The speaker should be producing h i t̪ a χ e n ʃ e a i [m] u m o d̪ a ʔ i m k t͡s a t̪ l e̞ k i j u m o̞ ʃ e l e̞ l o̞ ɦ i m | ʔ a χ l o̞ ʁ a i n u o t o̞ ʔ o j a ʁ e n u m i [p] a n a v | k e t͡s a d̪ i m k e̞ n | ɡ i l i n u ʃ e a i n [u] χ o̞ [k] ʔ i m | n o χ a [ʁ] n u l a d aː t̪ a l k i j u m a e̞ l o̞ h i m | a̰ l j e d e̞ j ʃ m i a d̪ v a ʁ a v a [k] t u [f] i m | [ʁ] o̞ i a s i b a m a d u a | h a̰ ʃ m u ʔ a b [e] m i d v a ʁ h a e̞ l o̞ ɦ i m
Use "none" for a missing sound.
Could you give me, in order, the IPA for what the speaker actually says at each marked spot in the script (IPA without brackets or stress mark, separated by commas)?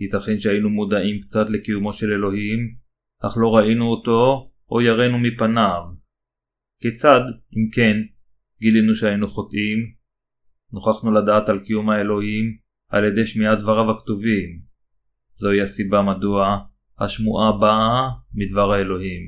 n, p, u, t, χ, k, v, z, a